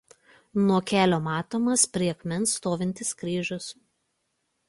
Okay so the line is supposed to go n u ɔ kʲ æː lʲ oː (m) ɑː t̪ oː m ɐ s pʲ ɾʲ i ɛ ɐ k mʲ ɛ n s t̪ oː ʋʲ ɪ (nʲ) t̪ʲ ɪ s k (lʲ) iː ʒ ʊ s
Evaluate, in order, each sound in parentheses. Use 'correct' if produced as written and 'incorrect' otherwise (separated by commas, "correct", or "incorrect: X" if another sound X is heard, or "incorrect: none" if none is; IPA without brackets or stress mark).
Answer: correct, correct, incorrect: ɾʲ